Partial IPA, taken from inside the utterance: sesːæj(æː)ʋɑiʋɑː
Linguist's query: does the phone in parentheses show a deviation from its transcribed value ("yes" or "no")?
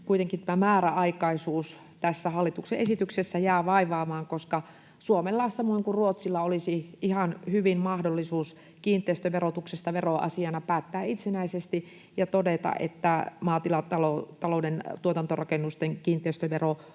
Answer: no